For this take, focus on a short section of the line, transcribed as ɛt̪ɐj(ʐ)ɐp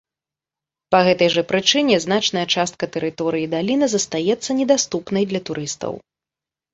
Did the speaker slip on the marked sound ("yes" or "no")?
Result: no